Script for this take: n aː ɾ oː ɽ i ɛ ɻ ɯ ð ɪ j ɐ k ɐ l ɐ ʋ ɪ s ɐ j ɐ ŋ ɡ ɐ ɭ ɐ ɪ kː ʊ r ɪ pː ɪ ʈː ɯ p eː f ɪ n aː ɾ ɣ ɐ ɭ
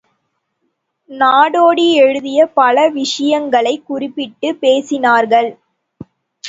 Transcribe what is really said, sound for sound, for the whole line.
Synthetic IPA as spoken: n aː ɽ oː ɽ i ɛ ɻ ɯ ð ɪ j ɐ p ɐ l ɐ ʋ ɪ ʂ ɐ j ɐ ŋ ɡ ɐ ɭ ɐ ɪ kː ʊ r ɪ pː ɪ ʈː ɯ p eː s ɪ n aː ɾ ɣ ɐ ɭ